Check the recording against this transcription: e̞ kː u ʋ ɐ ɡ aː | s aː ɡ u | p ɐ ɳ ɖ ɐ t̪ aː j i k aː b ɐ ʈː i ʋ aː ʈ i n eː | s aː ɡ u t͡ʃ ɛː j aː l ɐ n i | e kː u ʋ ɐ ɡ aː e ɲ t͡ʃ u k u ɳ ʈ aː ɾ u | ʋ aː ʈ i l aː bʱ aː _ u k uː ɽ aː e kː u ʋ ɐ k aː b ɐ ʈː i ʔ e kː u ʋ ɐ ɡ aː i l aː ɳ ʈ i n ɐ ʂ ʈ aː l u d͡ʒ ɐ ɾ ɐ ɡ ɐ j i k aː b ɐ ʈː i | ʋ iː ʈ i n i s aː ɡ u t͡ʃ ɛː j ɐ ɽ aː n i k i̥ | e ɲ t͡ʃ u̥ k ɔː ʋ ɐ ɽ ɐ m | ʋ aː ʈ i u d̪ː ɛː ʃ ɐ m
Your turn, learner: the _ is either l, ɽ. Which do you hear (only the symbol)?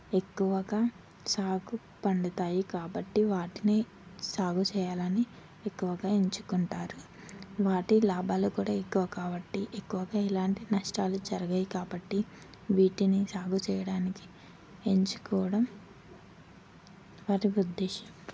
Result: l